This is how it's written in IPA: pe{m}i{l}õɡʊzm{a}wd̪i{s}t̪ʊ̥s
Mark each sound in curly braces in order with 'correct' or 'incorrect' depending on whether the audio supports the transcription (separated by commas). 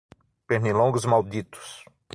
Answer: incorrect, correct, correct, incorrect